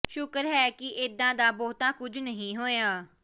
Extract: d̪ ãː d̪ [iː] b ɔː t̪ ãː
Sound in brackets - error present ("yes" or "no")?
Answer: yes